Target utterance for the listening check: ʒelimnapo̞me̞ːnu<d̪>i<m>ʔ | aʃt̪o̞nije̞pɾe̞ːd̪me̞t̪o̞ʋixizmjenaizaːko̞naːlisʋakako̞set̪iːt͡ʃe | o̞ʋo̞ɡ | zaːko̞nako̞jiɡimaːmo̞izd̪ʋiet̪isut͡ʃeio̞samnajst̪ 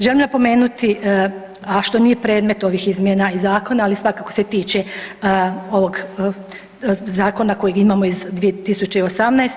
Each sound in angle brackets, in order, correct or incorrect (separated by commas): incorrect, incorrect